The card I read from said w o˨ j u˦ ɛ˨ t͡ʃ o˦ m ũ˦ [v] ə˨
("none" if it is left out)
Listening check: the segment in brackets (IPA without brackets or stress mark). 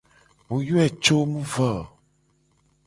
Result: v